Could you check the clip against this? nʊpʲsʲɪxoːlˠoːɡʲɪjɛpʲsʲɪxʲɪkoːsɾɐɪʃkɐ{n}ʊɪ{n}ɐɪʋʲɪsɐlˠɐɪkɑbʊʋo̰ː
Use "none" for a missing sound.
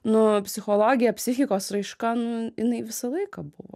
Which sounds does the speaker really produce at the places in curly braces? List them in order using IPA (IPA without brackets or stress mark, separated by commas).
n, n